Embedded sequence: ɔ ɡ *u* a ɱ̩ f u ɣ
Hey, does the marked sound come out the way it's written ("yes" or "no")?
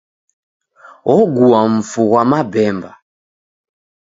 yes